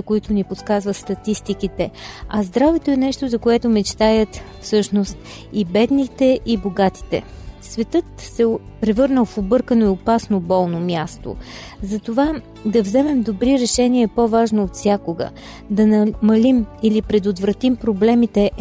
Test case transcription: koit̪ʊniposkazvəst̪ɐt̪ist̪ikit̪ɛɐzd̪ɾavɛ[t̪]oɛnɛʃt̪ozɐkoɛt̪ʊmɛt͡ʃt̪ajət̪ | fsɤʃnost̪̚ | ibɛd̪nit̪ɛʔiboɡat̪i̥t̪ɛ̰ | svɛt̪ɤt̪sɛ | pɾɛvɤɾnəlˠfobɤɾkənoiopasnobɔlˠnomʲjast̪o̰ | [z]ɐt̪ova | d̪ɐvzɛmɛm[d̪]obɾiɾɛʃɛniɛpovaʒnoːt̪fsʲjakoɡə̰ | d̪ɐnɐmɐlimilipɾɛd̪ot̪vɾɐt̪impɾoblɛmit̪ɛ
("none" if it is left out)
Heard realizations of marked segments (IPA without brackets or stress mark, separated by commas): t̪, z, d̪